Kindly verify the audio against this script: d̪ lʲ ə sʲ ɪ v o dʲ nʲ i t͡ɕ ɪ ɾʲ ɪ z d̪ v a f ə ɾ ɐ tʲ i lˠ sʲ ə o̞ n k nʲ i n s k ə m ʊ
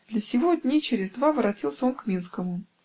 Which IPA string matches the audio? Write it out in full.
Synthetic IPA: d̪ lʲ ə sʲ ɪ v o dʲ nʲ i t͡ɕ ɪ ɾʲ ɪ z d̪ v a v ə ɾ ɐ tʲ i lˠ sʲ ə o̞ n k mʲ i n s k ə m ʊ